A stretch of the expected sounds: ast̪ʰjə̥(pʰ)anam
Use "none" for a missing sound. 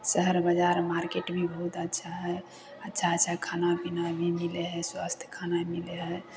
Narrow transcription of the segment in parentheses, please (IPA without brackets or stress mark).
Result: kʰ